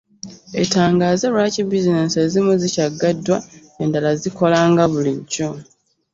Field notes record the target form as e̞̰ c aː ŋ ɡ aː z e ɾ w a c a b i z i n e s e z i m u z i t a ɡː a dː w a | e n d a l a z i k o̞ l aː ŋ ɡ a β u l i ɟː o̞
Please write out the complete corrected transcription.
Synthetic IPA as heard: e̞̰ t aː ŋ ɡ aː z e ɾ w a c i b i z i n e s e z i m u z i c a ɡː a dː w a | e n d a l a z i k o̞ l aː ŋ ɡ a β u l i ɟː o̞